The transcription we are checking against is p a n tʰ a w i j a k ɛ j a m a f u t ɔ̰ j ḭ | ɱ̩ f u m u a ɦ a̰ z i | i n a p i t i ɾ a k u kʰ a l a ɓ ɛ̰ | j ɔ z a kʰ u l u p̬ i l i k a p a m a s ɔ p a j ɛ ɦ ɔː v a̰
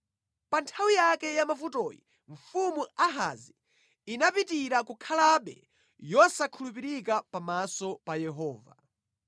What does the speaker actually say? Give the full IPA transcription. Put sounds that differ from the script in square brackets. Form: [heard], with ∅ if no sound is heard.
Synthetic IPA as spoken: p a n tʰ a w i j a k ɛ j a m a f u t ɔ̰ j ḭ | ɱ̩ f u m u a ɦ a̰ z i | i n a p i t i ɾ a k u kʰ a l a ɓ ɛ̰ | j ɔ [s] a kʰ u l u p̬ i [ɾ] i k a p a m a s ɔ p a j ɛ ɦ ɔː v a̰

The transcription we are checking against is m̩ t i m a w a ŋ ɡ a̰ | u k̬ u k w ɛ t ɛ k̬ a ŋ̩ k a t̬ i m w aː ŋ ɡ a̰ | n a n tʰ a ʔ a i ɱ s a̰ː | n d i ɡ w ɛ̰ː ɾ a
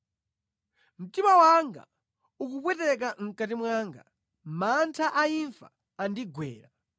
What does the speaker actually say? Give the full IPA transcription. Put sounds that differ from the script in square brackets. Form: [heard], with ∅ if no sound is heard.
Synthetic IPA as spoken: m̩ t i m a w a ŋ ɡ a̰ | u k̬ u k w ɛ t ɛ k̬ a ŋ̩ k a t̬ i m w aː ŋ ɡ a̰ | [m] a n tʰ a ʔ a i ɱ [f] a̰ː | n d i ɡ w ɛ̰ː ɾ a

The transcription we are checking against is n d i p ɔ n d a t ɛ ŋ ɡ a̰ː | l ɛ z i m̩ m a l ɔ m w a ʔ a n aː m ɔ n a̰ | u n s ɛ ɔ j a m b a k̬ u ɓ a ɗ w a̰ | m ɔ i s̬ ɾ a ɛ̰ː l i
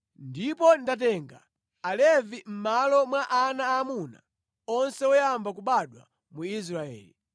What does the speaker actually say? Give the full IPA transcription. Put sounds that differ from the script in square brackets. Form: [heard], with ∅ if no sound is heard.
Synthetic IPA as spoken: n d i p ɔ n d a t ɛ ŋ ɡ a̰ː | l ɛ [v] i m̩ m a l ɔ m w a ʔ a n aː m [u] n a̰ | [ɔ] n s ɛ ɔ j a m b a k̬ u ɓ a ɗ w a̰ | m [u] i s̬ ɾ a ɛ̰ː l i

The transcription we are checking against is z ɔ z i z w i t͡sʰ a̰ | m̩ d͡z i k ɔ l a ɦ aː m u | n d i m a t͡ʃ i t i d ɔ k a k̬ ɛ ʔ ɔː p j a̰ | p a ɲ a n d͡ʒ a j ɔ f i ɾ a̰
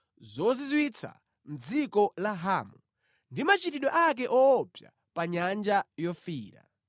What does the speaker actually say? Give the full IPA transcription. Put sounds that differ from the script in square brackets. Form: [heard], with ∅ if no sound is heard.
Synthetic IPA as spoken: z ɔ z i z w i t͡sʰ a̰ | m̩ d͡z i k ɔ l a ɦ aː m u | n d i m a t͡ʃ i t i [ɗ] ɔ [ʔ] a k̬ ɛ ʔ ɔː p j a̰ | p a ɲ a n d͡ʒ a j ɔ f [iː] ɾ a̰

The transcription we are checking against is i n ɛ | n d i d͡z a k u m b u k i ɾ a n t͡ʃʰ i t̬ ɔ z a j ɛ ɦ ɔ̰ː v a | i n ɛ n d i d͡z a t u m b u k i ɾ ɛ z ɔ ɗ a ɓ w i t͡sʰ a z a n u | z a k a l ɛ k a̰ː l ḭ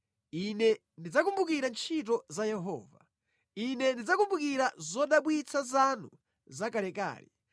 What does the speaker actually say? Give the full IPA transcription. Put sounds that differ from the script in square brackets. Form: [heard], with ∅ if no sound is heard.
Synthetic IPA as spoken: i n ɛ | n d i d͡z a k u m b u k i ɾ a n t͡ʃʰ i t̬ ɔ z a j ɛ ɦ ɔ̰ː v a | i n ɛ n d i d͡z a [k] u m b u k i ɾ [a] z ɔ ɗ a ɓ w i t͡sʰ a z a n u | z a k a l ɛ k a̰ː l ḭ

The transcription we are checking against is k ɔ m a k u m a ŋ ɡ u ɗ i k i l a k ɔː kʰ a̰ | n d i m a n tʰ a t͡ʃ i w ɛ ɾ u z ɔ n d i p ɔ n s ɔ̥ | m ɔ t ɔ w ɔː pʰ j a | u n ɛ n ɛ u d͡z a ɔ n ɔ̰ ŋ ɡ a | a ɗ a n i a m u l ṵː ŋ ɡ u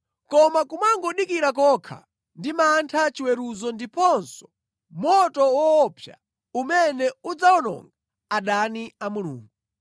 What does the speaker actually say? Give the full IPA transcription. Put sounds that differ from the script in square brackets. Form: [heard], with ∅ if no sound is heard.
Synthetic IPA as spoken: k ɔ m a k u m a ŋ ɡ [ɔ] ɗ i k i [ɾ] a k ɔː kʰ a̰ | n d i m a n tʰ a t͡ʃ i w ɛ ɾ u z ɔ n d i p ɔ n s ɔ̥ | m ɔ t ɔ w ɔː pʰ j a | u [m] ɛ n ɛ u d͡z a ɔ n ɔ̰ ŋ ɡ a | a ɗ a n i a m u l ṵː ŋ ɡ u

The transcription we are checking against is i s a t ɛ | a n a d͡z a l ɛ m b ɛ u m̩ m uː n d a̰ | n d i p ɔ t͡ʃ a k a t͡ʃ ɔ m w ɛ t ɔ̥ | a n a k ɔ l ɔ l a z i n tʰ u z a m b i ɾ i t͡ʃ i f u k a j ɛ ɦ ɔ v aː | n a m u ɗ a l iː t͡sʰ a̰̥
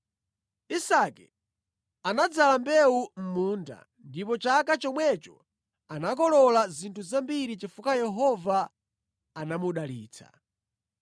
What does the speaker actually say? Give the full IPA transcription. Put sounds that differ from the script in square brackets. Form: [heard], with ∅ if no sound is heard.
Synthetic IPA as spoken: i s a [k] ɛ | a n a d͡z a l [a] m b ɛ u m̩ m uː n d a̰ | n d i p ɔ t͡ʃ a k a t͡ʃ ɔ m w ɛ [t͡ʃ] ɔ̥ | a n a k ɔ l ɔ l a z i n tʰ u z a m b i ɾ i t͡ʃ i f u k a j ɛ ɦ ɔ v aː | n a m u ɗ a l iː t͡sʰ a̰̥

